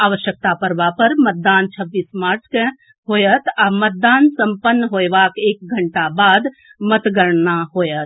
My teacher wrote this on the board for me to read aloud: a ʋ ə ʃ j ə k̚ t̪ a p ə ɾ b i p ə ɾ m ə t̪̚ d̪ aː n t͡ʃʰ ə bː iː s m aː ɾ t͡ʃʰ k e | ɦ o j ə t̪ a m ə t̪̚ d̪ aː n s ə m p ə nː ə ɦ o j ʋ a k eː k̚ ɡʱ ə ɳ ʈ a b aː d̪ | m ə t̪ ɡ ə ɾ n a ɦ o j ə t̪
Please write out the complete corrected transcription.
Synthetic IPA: a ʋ ə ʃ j ə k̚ t̪ a p ə ɾ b a p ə ɾ m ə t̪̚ d̪ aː n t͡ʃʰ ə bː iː s m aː ɾ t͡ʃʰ k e | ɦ o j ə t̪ a m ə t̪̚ d̪ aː n s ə m p ə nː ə ɦ o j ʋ a k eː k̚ ɡʱ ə ɳ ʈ a b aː d̪ | m ə t̪ ɡ ə ɾ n a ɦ o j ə t̪

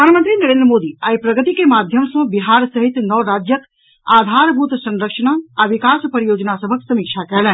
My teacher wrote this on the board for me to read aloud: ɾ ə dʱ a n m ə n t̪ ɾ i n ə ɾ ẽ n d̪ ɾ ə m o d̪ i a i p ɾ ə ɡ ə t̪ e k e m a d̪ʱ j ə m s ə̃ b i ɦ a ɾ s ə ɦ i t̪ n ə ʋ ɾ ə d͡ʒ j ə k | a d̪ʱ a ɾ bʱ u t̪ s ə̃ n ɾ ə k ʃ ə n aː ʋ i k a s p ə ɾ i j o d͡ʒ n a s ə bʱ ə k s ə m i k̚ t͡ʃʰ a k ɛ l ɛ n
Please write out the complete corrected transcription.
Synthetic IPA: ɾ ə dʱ a n m ə n t̪ ɾ i n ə ɾ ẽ n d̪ ɾ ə m o d̪ i a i p ɾ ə ɡ ə t̪ i k e m a d̪ʱ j ə m s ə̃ b i ɦ a ɾ s ə ɦ i t̪ n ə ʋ ɾ a d͡ʒ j ə k | a d̪ʱ a ɾ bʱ u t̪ s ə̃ n ɾ ə k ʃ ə n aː ʋ i k a s p ə ɾ i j o d͡ʒ n a s ə bʱ ə k s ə m i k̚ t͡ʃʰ a k ɛ l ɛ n

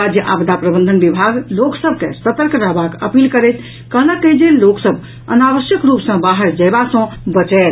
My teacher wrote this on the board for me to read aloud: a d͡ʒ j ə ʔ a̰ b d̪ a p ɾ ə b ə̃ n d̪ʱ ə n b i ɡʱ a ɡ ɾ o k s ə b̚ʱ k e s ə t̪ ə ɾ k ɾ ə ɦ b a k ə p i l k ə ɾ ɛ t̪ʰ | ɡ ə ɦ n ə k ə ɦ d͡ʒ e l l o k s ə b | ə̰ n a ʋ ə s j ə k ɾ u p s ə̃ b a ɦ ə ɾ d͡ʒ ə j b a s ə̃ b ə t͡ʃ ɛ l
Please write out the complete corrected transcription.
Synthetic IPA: a d͡ʒ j ə ʔ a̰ b d̪ a p ɾ ə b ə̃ n d̪ʱ ə n b i bʱ a ɡ l o k s ə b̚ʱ k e s ə t̪ ə ɾ k ɾ ə ɦ b a k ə p i l k ə ɾ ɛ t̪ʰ | k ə ɦ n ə k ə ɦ d͡ʒ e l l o k s ə b | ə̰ n a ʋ ə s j ə k ɾ u p s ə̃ b a ɦ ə ɾ d͡ʒ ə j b a s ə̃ b ə t͡ʃ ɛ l

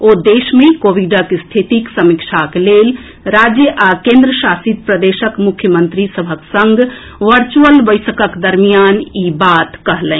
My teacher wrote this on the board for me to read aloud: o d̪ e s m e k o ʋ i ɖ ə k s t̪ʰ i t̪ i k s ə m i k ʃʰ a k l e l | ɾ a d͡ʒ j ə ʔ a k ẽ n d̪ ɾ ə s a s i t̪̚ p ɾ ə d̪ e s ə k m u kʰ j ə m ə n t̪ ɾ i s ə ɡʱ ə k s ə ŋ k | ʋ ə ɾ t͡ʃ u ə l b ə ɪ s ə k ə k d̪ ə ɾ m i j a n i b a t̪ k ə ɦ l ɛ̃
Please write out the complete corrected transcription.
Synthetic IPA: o d̪ e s m e k o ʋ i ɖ ə k s t̪ʰ i t̪ i k s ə m i k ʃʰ a k l e l | ɾ a d͡ʒ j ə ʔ a k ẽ n d̪ ɾ ə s a s i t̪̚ p ɾ ə d̪ e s ə k m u kʰ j ə m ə n t̪ ɾ i s ə bʱ ə k s ə ŋ ɡ | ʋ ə ɾ t͡ʃ u ə l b ə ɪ s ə k ə k d̪ ə ɾ m i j a n i b a t̪ k ə ɦ l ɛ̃

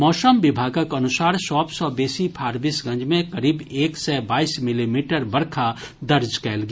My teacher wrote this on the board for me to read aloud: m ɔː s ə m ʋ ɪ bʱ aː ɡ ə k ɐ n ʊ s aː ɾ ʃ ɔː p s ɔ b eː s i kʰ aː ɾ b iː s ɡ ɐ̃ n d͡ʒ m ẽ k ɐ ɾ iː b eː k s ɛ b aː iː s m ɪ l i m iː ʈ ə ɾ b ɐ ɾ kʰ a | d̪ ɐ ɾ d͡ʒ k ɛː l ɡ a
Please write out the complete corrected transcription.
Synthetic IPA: m ɔː s ə m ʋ ɪ bʱ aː ɡ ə k ɐ n ʊ s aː ɾ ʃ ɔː p s ɔ b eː s i pʰ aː ɾ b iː s ɡ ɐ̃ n d͡ʒ m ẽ k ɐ ɾ iː b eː k s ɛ b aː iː s m ɪ l i m iː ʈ ə ɾ b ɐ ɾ kʰ a | d̪ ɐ ɾ d͡ʒ k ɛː l ɡ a

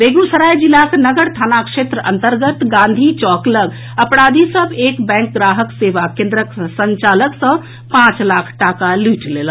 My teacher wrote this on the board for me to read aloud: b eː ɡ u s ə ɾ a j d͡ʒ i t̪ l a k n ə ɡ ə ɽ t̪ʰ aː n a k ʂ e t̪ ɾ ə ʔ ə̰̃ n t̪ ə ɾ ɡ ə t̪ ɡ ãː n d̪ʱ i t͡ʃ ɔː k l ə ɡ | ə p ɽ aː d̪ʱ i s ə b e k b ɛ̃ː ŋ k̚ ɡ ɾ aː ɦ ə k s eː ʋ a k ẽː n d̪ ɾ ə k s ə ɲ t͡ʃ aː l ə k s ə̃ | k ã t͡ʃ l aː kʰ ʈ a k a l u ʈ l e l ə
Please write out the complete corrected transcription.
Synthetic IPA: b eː ɡ u s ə ɾ a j d͡ʒ i l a k n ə ɡ ə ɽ t̪ʰ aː n a k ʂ e t̪ ɾ ə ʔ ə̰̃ n t̪ ə ɾ ɡ ə t̪ ɡ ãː n d̪ʱ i t͡ʃ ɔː k l ə ɡ | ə p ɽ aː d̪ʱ i s ə b e k b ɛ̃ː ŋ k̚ ɡ ɾ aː ɦ ə k s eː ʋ a k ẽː n d̪ ɾ ə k s ə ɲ t͡ʃ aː l ə k s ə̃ | p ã t͡ʃ l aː kʰ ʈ a k a l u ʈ l e l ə

